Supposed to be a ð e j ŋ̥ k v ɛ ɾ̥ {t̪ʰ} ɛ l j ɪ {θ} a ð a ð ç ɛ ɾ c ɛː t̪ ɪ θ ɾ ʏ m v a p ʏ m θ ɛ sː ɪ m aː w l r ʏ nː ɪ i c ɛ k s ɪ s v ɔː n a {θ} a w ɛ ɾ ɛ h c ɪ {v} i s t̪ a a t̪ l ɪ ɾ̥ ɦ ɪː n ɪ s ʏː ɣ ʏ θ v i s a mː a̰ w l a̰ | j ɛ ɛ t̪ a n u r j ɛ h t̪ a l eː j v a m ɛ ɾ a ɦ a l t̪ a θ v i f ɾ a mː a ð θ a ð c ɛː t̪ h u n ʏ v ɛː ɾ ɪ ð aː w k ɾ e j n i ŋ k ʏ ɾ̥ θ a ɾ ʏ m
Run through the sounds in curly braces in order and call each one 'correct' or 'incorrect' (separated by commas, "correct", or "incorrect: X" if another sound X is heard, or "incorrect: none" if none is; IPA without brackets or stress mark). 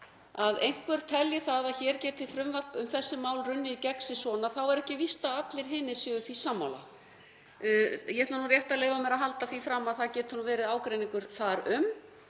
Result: correct, correct, correct, correct